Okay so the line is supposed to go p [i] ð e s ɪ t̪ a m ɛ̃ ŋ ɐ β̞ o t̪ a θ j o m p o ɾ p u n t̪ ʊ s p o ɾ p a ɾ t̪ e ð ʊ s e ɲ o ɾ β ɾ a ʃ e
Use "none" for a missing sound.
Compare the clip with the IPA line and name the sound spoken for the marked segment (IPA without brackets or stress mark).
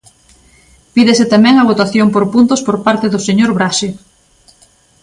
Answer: i